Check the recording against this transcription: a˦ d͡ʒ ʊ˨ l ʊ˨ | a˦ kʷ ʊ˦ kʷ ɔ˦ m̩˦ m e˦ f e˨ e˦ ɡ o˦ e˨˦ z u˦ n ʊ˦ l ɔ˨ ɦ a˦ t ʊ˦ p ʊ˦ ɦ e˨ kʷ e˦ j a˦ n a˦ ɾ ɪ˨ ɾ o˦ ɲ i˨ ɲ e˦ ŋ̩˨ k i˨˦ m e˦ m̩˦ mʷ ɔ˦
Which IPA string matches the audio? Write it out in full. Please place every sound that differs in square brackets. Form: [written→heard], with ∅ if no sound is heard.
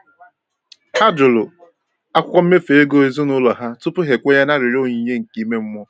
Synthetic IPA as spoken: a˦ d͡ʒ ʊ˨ l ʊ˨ | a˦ kʷ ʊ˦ kʷ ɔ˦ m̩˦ m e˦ f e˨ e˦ ɡ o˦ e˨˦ z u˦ n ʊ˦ l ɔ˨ ɦ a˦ t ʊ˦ p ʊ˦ ɦ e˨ kʷ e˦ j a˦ n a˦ ɾ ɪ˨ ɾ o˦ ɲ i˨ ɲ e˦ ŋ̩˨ k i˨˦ m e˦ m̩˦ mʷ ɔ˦